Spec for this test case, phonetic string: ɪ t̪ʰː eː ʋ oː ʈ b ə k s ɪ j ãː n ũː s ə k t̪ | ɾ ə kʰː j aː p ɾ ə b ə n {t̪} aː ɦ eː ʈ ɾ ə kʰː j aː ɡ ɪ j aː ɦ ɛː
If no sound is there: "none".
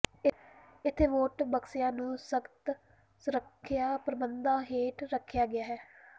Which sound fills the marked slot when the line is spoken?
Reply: d̪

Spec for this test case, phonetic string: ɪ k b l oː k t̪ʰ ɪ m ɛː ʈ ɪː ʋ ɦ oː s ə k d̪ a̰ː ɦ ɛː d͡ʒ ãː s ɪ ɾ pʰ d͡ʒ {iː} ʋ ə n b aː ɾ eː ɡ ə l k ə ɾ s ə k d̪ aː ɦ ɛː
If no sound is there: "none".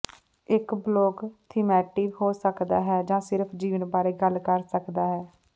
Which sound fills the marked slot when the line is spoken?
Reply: iː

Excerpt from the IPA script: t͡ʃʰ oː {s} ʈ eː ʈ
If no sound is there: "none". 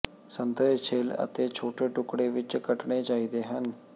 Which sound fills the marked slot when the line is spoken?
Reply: none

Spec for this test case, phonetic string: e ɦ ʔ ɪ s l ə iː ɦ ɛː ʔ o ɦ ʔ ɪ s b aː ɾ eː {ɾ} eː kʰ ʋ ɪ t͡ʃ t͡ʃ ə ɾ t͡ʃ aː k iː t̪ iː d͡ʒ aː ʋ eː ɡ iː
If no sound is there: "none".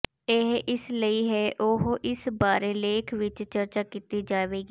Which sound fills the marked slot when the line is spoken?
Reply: l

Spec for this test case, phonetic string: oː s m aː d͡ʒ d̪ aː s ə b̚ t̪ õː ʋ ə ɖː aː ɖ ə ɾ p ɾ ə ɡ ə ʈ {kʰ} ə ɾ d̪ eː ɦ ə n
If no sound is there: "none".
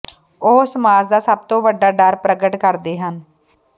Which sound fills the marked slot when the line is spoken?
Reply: k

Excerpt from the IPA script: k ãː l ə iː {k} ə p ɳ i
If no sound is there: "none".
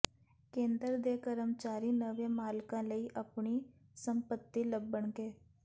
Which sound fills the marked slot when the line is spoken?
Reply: ʔ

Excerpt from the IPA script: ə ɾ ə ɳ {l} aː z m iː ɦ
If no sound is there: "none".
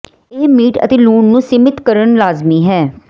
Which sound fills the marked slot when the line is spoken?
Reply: l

